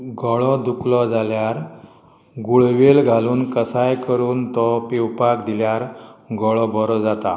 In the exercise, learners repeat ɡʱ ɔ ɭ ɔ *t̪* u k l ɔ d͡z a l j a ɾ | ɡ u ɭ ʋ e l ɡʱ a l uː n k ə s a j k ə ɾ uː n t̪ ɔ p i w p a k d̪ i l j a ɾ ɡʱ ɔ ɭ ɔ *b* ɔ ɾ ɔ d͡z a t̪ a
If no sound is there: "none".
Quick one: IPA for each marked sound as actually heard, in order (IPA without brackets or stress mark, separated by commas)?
d̪, b